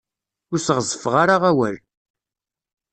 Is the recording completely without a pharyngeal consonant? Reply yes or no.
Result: yes